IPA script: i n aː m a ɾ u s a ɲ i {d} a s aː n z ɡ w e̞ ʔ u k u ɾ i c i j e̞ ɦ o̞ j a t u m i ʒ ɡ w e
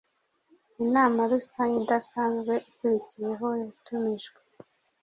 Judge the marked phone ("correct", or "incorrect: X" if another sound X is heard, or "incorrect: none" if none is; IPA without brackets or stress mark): correct